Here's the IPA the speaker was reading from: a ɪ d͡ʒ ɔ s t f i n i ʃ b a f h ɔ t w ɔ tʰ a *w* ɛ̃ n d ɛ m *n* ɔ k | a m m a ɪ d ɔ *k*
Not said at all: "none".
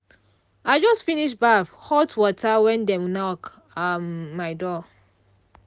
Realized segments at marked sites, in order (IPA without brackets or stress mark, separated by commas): w, n, none